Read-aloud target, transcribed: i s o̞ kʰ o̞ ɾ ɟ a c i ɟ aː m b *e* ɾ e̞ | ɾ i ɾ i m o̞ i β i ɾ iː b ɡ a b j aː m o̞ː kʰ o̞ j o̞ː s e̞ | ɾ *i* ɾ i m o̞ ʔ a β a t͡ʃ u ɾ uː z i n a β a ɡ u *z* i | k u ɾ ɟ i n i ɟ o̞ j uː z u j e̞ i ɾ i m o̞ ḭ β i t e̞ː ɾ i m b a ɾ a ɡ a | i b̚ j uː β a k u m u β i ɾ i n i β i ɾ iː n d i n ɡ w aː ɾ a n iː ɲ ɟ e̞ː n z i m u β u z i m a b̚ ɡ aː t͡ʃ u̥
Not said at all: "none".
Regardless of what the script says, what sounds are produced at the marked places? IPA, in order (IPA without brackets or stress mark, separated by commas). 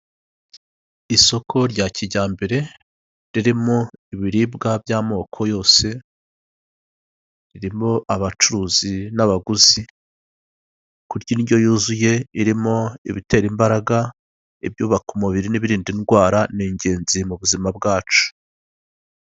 e, i, z